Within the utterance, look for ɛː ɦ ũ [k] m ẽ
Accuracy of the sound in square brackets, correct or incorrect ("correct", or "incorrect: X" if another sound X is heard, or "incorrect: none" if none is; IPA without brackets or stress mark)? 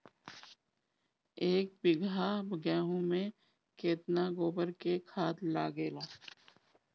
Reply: incorrect: none